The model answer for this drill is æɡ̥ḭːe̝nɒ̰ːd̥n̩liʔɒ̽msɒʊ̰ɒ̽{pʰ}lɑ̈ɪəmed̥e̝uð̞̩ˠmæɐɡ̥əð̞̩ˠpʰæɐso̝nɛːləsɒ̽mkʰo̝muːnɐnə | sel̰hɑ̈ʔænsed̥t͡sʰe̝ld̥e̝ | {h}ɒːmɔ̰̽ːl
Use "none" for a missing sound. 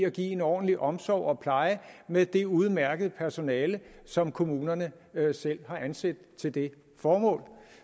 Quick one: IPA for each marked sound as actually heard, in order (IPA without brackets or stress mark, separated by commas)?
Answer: pʰ, f